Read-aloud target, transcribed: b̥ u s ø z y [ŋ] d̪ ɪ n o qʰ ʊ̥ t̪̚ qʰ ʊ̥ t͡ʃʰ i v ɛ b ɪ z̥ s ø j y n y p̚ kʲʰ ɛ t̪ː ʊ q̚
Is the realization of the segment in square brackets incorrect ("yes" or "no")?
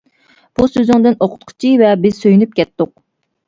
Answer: no